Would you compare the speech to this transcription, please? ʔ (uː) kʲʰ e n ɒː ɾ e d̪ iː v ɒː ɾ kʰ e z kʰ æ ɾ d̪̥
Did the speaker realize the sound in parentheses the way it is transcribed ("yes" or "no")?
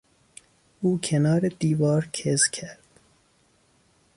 yes